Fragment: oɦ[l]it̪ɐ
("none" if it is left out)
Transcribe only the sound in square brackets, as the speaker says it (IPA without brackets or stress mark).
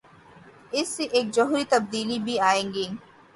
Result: ɾ